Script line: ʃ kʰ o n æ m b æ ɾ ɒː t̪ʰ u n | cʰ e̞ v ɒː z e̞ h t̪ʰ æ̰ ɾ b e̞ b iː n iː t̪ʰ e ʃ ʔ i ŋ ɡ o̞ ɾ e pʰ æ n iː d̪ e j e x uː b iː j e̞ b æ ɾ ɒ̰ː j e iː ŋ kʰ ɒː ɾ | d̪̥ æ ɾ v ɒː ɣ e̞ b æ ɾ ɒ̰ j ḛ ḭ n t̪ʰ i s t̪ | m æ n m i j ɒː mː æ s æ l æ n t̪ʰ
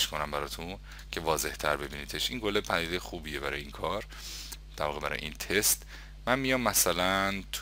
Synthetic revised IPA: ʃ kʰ o n æ m b æ ɾ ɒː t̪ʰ u n | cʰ e̞ v ɒː z e̞ h t̪ʰ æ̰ ɾ b e̞ b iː n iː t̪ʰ e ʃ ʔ i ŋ ɡ o̞ l e pʰ æ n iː d̪ e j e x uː b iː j e̞ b æ ɾ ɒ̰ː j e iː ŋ kʰ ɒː ɾ | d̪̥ æ ɾ v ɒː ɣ e̞ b æ ɾ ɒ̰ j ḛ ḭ n t̪ʰ e s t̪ | m æ n m i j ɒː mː æ s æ l æ n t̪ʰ